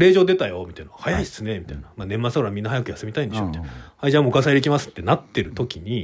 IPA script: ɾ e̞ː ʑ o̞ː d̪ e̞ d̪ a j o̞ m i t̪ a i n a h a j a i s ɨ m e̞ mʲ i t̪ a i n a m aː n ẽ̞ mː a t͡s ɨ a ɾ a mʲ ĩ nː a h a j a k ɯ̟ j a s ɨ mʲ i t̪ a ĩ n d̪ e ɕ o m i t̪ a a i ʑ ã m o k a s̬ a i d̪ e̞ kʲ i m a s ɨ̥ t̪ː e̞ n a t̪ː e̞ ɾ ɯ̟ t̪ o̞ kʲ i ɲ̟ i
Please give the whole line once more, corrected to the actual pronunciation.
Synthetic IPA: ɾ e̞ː ʑ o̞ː d̪ e̞ t̪ a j o̞ m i t̪ a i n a h a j a i s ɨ n e̞ mʲ i t̪ a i n a m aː n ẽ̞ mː a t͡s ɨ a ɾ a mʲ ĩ nː a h a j a k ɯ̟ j a s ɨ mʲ i t̪ a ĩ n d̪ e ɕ o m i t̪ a a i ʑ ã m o k a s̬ a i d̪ e̞ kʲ i m a s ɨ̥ t̪ː e̞ n a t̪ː e̞ ɾ ɯ̟ t̪ o̞ kʲ i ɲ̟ i